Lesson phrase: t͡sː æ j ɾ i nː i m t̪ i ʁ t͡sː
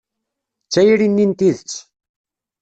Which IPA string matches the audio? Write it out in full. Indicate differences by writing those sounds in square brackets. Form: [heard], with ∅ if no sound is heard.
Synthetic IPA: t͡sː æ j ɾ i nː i [n] t̪ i [ð] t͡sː